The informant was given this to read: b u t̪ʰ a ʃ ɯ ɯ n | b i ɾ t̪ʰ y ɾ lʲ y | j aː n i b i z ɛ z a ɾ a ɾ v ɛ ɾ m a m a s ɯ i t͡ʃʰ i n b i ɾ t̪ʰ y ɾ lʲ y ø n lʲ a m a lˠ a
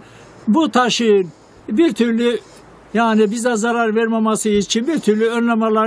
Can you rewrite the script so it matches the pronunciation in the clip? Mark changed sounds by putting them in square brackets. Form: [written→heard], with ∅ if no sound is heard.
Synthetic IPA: b u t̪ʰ a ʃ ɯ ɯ n | b i ɾ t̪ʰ y ɾ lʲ y | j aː n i b i z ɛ z a ɾ a ɾ v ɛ ɾ m a m a s ɯ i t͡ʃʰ i n b i ɾ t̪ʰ y ɾ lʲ y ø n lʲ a m a lˠ a